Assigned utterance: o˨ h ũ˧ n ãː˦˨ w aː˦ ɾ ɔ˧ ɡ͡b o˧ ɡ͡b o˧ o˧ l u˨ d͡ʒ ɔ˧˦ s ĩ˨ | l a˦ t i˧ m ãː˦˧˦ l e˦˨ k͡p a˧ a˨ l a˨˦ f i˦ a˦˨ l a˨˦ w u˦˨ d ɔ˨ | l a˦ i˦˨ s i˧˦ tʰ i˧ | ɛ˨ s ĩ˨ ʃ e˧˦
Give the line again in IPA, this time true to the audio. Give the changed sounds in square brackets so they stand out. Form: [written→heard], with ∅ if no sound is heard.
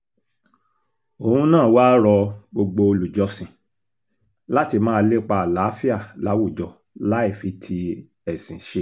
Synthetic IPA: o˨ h ũ˧ n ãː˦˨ w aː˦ ɾ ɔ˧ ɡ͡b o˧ ɡ͡b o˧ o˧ l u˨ d͡ʒ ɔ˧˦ s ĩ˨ | l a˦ t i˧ m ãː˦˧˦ l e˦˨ k͡p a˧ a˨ l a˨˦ f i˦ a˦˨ l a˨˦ w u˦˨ [d→d͡ʒ] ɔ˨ | l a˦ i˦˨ [s→f] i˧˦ tʰ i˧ | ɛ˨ s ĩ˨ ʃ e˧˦

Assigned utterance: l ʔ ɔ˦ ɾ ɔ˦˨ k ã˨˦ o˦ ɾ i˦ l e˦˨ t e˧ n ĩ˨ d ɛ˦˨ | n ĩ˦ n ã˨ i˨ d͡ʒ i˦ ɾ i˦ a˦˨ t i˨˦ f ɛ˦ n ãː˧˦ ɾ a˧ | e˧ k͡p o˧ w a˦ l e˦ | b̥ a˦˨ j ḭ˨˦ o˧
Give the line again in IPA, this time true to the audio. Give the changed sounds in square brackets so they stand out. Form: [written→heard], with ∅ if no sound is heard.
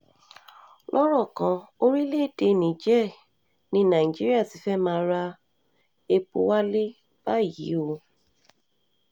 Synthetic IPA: l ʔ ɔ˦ ɾ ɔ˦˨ k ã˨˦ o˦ ɾ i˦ l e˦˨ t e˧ n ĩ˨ [d→d͡ʒ] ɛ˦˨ | n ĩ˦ n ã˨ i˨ d͡ʒ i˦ ɾ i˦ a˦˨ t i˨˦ f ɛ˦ [n→m] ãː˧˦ ɾ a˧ | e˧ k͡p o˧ w a˦ l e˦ | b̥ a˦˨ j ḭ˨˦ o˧

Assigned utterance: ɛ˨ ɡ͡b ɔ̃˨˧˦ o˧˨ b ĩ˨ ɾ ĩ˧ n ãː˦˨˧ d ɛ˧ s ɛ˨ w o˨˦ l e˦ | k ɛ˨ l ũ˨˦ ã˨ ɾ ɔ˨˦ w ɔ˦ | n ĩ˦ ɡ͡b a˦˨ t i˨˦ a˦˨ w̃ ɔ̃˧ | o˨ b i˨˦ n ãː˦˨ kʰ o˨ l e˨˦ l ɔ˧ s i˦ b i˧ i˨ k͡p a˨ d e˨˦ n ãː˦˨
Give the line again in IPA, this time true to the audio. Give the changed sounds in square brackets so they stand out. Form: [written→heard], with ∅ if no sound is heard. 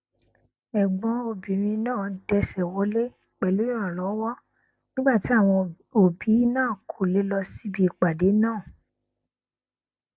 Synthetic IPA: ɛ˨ ɡ͡b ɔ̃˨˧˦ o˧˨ b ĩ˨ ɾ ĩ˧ n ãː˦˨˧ d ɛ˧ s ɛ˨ w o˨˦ l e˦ | [k→k͡p] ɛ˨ l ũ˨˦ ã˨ [ɾ→l] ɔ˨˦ w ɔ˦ | n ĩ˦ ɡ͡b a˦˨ t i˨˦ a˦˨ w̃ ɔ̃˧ | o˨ b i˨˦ n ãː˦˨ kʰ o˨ l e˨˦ l ɔ˧ s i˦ b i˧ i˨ k͡p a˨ d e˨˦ n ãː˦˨

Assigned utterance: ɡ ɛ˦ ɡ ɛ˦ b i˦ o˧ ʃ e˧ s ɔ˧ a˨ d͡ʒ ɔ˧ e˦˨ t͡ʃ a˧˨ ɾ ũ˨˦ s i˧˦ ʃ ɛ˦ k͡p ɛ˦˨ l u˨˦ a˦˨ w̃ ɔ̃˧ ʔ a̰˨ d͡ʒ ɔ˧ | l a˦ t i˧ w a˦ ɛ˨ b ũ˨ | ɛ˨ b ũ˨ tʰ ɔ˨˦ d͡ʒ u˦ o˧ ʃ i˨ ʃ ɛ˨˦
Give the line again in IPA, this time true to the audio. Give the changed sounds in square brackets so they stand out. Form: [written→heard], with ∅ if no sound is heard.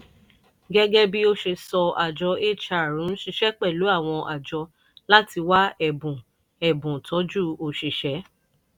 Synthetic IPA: ɡ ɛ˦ ɡ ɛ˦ b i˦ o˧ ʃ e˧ s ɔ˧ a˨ d͡ʒ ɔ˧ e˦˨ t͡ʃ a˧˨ ɾ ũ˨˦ [s→ʃ] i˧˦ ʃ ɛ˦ k͡p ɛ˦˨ l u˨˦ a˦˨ w̃ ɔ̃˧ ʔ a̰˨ d͡ʒ ɔ˧ | l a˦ t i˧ w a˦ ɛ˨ b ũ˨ | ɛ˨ b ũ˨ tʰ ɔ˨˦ d͡ʒ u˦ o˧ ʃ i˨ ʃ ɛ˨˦

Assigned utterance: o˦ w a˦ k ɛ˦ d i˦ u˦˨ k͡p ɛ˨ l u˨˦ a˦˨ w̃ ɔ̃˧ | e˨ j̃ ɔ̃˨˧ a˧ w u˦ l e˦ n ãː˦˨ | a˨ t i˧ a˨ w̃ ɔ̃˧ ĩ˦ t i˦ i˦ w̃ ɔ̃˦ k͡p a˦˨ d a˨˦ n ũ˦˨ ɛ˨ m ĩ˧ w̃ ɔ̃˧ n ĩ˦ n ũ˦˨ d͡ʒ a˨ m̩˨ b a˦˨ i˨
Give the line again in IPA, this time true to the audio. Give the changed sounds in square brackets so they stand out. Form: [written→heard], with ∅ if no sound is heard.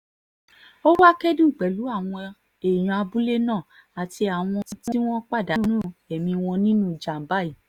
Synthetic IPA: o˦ w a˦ k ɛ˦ d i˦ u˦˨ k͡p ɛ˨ l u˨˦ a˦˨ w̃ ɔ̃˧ | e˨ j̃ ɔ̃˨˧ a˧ [w→b] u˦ l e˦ n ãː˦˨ | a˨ t i˧ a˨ w̃ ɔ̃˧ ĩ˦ t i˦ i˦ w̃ ɔ̃˦ k͡p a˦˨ d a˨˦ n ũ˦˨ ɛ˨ m ĩ˧ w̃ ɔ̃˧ n ĩ˦ n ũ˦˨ d͡ʒ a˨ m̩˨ b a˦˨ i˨

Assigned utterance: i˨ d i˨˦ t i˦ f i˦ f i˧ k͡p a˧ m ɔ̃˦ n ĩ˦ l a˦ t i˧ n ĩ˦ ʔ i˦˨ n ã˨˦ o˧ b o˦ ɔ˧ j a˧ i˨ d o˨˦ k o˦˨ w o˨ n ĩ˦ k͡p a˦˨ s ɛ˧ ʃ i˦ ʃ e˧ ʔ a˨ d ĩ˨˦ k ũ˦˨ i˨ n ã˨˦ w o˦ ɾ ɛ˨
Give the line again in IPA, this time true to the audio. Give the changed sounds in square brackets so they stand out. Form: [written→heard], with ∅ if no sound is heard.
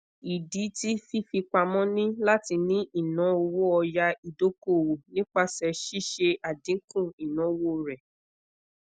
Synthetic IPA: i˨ d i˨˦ t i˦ f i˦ f i˧ k͡p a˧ m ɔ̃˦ n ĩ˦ l a˦ t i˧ n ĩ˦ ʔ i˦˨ n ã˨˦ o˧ [b→w] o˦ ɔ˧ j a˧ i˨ d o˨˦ k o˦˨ w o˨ n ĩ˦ k͡p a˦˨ s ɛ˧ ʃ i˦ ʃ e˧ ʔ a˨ d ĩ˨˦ k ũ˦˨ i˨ n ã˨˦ w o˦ ɾ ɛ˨

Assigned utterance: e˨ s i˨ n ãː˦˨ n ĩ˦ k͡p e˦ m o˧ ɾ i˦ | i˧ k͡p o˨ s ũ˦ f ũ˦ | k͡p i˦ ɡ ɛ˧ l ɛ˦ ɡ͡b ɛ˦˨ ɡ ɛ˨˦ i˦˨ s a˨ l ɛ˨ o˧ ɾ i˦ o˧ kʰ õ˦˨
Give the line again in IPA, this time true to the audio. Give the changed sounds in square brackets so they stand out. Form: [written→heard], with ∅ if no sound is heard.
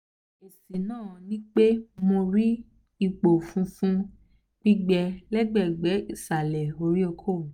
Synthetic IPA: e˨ s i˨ n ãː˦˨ n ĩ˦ k͡p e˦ m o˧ ɾ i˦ | i˧ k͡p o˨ [s→f] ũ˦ f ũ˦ | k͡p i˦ [ɡ→ɡ͡b] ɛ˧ l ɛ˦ ɡ͡b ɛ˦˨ [ɡ→ɡ͡b] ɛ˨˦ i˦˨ s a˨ l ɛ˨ o˧ ɾ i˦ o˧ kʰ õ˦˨

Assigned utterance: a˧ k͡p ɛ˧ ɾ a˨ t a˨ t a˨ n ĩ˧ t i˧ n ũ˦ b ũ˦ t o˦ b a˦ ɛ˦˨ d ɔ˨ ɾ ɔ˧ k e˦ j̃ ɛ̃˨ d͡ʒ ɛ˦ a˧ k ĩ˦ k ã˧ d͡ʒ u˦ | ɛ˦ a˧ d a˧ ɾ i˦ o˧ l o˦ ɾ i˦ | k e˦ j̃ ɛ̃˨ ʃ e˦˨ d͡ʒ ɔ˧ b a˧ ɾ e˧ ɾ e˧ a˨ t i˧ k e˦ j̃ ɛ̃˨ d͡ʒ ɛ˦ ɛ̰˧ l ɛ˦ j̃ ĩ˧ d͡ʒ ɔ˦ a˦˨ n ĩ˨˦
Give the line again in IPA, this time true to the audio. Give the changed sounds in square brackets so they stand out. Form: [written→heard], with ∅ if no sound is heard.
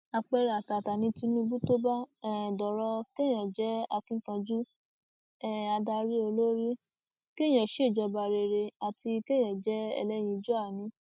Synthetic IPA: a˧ k͡p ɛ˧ ɾ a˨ t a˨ t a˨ n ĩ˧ t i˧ n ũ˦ b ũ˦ t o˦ b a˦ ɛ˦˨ d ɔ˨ ɾ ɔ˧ k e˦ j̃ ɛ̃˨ d͡ʒ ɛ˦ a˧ k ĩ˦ k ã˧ d͡ʒ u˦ | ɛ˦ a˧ d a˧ ɾ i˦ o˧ l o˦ ɾ i˦ | k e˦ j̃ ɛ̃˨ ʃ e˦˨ d͡ʒ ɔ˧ b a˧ ɾ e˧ ɾ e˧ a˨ t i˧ k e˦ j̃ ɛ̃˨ d͡ʒ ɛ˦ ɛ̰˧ l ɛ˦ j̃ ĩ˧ d͡ʒ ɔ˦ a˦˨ n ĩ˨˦

